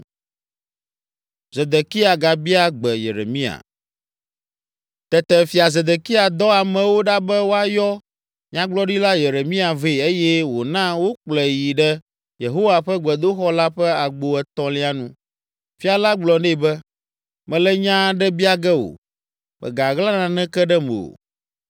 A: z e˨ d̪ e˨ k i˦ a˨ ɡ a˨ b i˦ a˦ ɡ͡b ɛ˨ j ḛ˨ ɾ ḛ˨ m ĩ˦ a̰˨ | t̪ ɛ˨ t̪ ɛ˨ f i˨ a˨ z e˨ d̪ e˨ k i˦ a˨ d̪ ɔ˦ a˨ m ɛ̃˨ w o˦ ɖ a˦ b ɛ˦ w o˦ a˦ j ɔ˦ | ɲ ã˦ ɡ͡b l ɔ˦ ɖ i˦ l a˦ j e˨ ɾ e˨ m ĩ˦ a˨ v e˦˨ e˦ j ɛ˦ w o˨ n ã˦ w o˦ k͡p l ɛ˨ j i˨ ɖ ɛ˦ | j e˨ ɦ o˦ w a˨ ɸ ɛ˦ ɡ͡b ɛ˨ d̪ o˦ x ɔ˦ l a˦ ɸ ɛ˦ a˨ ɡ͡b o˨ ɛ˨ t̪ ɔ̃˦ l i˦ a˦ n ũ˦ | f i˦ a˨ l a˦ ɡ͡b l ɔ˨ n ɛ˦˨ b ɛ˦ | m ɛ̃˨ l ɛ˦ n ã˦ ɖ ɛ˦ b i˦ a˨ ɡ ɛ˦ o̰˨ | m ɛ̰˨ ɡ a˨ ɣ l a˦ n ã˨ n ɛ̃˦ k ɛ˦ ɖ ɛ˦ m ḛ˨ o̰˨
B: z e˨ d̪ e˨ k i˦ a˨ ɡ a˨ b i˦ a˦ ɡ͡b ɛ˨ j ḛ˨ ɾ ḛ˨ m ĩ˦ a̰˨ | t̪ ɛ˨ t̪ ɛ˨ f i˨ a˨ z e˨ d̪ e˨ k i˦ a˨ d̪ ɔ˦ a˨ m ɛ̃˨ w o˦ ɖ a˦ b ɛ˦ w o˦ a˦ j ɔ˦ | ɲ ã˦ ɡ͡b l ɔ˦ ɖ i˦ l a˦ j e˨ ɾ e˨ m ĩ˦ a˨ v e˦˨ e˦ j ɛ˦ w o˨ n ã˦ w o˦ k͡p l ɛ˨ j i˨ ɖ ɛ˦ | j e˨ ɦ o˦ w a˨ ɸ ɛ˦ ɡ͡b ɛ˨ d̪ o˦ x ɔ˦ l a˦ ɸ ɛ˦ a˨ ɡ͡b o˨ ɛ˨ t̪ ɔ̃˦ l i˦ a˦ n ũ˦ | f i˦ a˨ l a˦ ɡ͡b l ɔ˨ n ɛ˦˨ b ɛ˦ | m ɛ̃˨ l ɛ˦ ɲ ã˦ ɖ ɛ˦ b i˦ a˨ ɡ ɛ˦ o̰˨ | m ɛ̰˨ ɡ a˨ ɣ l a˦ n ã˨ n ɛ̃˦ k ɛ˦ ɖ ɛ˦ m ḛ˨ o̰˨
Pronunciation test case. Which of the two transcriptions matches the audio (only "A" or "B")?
B